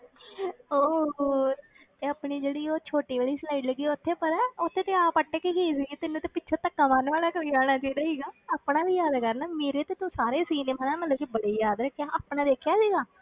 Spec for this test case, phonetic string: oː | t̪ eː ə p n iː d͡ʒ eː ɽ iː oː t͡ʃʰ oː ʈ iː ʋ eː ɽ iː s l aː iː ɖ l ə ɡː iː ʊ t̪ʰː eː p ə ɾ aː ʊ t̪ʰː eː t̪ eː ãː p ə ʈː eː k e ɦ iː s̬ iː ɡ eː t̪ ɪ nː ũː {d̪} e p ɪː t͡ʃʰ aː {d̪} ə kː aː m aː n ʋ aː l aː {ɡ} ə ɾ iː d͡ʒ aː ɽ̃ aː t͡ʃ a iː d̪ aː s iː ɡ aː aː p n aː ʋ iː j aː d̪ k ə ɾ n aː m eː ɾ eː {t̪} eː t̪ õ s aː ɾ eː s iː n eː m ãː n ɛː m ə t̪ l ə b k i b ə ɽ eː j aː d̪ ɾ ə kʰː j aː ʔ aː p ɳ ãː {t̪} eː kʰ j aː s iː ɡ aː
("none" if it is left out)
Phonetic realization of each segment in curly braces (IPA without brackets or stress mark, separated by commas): t̪, t̪, k, t̪, d̪